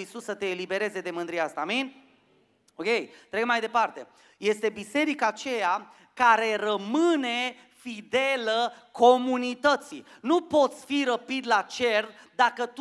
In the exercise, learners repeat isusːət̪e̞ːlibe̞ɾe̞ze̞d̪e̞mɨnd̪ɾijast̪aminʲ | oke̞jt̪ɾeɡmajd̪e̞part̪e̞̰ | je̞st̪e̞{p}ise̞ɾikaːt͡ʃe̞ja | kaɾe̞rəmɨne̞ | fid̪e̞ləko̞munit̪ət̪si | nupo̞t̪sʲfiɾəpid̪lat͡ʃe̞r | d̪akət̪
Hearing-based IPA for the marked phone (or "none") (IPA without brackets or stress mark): b